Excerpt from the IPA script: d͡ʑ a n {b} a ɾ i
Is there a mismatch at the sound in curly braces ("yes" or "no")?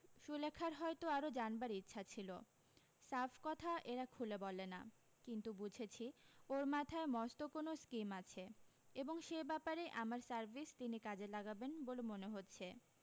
no